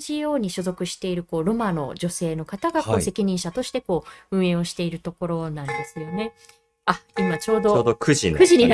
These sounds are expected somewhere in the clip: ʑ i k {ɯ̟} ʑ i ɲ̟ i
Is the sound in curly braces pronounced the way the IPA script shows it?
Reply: yes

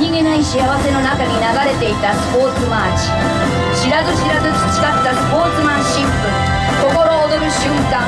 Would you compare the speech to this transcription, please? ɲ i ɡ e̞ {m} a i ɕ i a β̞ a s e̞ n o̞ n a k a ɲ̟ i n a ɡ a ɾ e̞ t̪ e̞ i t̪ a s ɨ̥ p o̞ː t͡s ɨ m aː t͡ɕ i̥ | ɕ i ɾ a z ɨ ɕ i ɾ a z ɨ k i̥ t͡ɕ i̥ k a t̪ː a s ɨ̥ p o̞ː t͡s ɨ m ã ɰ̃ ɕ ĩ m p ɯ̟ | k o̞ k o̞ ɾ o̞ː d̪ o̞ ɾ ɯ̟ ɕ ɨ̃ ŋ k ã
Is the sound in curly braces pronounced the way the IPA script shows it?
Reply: no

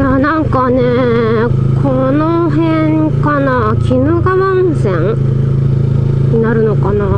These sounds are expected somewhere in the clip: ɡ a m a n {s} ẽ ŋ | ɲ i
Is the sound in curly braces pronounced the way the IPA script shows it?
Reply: yes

